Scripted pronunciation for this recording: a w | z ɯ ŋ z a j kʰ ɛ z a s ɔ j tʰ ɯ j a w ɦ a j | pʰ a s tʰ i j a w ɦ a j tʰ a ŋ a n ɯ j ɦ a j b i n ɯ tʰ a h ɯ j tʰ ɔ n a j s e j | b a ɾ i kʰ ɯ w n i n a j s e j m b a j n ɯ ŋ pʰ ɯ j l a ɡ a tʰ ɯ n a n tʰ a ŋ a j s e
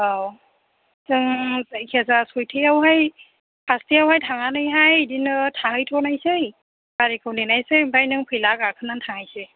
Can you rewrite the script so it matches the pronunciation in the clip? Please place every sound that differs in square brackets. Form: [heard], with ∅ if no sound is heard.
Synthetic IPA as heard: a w | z ɯ ŋ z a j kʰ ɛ z a s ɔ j tʰ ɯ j a w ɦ a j | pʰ a s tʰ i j a w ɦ a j tʰ a ŋ a n ɯ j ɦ a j [d] i n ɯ tʰ a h ɯ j tʰ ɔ n a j s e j | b a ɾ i kʰ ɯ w n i n a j s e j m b a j n ɯ ŋ pʰ ɯ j l a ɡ a [kʰ] ɯ n a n tʰ a ŋ a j s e